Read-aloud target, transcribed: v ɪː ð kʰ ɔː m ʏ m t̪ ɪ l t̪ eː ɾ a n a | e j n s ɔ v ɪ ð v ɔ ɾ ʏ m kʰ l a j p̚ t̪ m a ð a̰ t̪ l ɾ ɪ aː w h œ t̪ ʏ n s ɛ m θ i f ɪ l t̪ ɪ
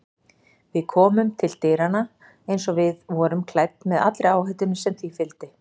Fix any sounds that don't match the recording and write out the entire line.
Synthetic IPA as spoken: v ɪ ð kʰ ɔː m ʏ m t̪ʰ ɪ l t̪ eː ɾ a n a | e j n s ɔ v ɪ ð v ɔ ɾ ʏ m kʰ l a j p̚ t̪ m ɛ ð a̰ t̪ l ɾ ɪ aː w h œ t̪ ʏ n s ɛ m θ i f ɪ l t̪ ɪ

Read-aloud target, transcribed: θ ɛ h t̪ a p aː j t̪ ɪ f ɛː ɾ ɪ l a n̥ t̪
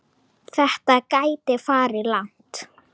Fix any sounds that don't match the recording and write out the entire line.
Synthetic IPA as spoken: θ ɛ h t̪ a k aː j t̪ ɪ f aː ɾ ɪ l a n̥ t̪

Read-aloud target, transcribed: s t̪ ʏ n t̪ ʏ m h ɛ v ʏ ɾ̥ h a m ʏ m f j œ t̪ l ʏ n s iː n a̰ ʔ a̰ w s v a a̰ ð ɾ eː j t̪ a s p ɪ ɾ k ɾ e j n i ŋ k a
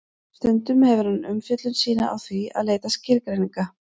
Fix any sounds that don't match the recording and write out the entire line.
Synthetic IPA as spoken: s t̪ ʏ n t̪ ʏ m h ɛ v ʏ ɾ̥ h a n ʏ m f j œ t̪ l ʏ n s iː n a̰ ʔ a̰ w θ v i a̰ ð l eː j t̪ a s c ɪ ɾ k ɾ e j n i ŋ k a

